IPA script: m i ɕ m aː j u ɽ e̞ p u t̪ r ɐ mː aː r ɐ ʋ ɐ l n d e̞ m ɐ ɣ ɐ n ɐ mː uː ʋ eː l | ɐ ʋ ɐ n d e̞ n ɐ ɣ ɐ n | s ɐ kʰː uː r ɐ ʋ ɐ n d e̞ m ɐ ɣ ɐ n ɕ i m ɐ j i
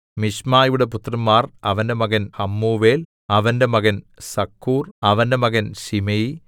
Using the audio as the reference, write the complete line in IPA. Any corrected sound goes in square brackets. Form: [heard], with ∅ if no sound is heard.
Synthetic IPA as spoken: m i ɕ m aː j u ɽ e̞ p u t̪ r ɐ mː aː r ɐ ʋ ɐ [∅] n d e̞ m ɐ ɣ ɐ n ɐ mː uː ʋ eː l | ɐ ʋ ɐ n d e̞ [m] ɐ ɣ ɐ n | s ɐ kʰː uː r ɐ ʋ ɐ n d e̞ m ɐ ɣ ɐ n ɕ i m ɐ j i